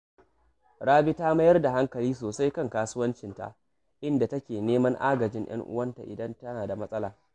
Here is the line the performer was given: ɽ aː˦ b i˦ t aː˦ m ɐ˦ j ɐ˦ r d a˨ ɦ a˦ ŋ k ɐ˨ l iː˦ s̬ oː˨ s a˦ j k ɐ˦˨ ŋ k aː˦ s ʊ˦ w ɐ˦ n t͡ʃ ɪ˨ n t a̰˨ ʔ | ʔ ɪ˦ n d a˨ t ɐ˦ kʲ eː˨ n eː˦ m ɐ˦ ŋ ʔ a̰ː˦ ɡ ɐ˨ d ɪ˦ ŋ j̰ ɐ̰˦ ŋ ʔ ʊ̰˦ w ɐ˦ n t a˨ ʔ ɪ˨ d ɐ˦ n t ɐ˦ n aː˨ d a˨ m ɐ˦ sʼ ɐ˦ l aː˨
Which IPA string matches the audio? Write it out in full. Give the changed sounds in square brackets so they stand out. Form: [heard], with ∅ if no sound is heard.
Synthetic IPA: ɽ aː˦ b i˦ t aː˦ m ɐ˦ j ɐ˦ r d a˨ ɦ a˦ ŋ k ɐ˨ l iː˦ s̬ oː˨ s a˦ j k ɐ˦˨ ŋ k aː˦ s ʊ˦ w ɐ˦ n t͡ʃ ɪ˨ n t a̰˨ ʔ | ʔ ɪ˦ n d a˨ t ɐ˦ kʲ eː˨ n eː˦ m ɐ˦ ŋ ʔ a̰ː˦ ɡ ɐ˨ [d͡ʒ] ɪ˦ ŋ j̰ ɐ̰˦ ŋ ʔ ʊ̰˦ w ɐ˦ n t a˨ ʔ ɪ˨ d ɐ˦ n t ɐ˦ n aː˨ d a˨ m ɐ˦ sʼ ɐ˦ l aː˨